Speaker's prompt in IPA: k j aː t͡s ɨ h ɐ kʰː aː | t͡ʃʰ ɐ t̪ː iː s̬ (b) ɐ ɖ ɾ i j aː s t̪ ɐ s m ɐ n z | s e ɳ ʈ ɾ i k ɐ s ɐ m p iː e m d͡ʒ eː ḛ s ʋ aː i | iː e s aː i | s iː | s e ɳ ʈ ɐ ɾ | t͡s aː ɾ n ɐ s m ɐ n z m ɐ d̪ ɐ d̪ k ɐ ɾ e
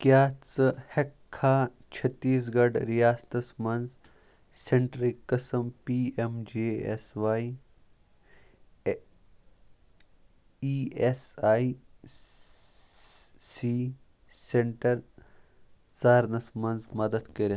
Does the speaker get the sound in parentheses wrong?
yes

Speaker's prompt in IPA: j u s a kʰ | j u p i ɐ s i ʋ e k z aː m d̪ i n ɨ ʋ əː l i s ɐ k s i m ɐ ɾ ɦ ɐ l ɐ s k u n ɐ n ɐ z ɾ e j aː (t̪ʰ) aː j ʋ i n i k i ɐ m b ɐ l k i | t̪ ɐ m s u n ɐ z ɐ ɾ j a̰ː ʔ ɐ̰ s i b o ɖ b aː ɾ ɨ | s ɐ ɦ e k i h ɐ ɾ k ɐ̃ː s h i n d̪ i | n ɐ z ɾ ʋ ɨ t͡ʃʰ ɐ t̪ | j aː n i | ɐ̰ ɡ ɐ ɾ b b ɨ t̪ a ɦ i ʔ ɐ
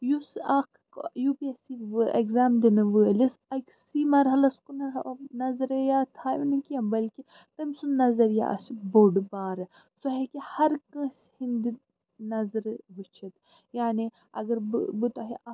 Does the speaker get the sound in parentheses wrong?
no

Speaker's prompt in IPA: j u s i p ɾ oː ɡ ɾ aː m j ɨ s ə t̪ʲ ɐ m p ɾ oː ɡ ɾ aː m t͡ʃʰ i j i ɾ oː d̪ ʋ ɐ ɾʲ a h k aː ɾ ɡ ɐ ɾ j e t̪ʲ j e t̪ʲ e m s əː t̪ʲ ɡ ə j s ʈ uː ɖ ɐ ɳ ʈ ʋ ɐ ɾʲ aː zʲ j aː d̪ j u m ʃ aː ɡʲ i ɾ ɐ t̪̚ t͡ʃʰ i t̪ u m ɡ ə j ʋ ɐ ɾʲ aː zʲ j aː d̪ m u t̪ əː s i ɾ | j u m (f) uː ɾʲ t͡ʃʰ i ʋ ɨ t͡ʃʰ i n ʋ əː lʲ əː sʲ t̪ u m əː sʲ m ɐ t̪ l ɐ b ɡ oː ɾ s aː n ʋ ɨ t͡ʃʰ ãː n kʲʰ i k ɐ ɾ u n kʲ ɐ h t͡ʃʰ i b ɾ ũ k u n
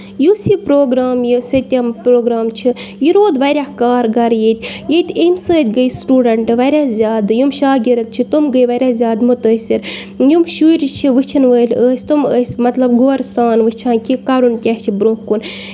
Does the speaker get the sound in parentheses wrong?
yes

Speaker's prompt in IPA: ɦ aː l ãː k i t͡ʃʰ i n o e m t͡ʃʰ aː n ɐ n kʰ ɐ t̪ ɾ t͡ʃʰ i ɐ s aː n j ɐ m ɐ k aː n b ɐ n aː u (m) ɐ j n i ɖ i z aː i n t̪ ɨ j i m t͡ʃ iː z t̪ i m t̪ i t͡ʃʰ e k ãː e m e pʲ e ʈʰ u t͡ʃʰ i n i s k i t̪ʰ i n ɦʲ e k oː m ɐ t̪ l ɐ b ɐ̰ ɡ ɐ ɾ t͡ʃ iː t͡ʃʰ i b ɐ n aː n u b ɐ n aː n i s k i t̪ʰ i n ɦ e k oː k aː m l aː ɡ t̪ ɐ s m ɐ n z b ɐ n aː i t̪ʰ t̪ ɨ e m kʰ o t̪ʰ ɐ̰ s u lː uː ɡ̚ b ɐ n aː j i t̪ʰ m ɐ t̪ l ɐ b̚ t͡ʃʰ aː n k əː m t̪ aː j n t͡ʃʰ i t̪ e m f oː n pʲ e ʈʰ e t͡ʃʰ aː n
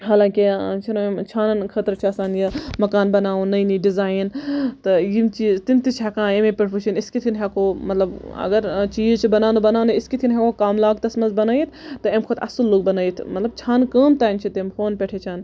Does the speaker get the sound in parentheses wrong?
yes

